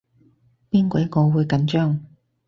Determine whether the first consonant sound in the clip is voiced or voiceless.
voiceless